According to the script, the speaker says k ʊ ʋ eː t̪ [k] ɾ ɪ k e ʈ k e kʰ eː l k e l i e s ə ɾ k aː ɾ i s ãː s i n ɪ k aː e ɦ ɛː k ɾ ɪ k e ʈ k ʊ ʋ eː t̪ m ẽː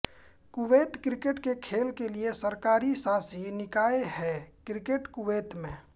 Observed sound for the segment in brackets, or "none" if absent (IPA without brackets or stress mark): k